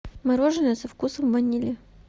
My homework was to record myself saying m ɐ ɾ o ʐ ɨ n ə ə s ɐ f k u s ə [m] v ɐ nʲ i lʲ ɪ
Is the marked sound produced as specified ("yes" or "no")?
yes